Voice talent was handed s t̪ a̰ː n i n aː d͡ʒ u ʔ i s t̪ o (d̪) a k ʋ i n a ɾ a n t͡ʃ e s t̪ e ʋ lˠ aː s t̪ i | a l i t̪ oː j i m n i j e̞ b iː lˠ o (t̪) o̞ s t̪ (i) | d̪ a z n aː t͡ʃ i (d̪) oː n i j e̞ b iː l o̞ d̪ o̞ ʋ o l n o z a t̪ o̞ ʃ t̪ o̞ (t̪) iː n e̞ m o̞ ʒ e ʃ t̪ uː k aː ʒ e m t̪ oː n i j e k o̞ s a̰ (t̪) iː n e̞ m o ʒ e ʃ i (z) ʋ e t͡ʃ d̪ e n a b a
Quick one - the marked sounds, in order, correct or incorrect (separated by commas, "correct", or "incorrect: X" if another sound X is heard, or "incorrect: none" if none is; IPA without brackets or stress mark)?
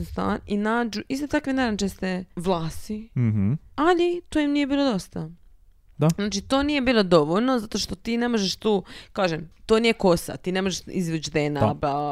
incorrect: t̪, incorrect: d̪, incorrect: a, incorrect: t̪, correct, correct, correct